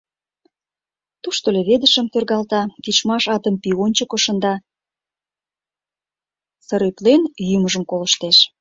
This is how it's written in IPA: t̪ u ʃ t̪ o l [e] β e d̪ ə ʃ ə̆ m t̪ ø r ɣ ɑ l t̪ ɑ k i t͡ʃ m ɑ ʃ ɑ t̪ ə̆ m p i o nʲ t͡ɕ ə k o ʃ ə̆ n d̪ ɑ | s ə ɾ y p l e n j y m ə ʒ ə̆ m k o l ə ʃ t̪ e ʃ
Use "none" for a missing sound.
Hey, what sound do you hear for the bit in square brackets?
e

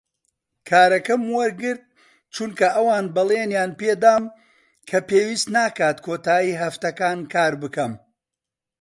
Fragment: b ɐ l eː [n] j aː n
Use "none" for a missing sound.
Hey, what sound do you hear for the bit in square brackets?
n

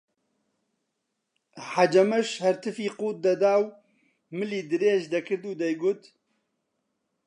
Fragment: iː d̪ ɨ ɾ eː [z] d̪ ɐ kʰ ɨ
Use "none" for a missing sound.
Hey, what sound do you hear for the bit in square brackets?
ʒ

